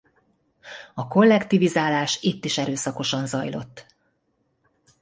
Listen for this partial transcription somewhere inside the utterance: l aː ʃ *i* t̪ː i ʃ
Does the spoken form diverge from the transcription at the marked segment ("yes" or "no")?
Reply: no